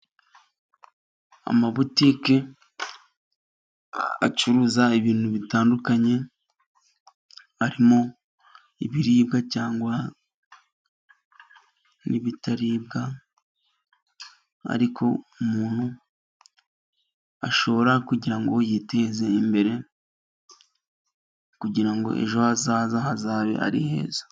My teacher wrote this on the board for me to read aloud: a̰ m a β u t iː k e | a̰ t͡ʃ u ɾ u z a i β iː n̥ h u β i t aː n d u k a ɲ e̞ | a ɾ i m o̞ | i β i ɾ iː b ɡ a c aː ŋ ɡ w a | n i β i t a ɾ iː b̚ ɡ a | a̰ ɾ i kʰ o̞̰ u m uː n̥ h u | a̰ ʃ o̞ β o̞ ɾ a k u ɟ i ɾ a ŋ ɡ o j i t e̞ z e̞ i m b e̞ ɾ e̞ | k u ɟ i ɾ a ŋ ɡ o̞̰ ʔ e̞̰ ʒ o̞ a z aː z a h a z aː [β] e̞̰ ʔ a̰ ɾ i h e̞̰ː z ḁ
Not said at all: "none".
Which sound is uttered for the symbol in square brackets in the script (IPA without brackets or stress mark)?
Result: β